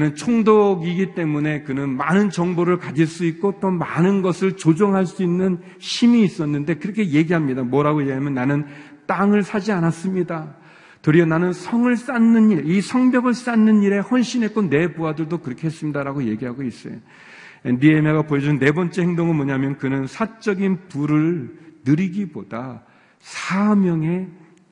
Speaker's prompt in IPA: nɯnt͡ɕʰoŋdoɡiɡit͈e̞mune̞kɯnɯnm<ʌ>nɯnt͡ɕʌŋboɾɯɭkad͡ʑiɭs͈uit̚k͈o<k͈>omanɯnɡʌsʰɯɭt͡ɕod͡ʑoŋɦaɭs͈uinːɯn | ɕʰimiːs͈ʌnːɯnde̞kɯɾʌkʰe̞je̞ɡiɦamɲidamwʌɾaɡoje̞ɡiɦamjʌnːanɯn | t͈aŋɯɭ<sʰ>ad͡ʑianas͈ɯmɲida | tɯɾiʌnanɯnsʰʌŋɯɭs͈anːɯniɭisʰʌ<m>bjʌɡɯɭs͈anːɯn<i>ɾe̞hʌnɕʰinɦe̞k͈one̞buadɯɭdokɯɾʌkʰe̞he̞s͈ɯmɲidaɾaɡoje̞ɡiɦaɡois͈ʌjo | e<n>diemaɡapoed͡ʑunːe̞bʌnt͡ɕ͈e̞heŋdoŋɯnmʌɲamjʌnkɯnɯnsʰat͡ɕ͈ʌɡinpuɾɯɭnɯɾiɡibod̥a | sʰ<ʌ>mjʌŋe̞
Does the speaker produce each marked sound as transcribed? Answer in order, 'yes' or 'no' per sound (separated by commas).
no, no, yes, no, yes, yes, no